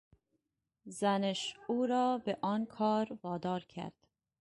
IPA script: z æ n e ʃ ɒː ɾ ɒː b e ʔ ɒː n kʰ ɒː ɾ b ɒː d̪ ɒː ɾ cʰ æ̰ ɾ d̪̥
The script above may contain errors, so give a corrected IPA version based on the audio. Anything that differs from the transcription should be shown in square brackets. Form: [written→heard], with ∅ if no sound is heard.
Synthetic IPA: z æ n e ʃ [ɒː→uː] ɾ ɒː b e ʔ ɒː n kʰ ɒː ɾ [b→v] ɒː d̪ ɒː ɾ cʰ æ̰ ɾ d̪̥